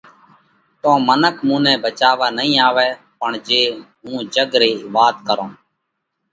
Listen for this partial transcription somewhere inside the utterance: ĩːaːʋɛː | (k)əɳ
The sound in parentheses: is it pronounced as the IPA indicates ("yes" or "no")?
no